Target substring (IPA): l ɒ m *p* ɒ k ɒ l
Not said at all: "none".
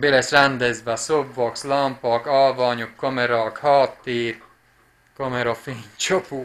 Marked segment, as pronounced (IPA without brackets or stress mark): p